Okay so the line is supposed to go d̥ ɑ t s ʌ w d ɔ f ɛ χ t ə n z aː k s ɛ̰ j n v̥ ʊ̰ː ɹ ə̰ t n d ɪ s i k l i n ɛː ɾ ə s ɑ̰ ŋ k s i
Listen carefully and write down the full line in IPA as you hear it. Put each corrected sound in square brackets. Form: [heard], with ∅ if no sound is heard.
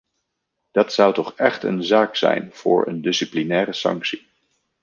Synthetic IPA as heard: d̥ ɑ t s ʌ w [t] ɔ [χ] ɛ χ t ə n z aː k s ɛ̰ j n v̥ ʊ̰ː ɹ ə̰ [∅] n d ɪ s i [p] l i n ɛː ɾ ə s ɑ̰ ŋ k s i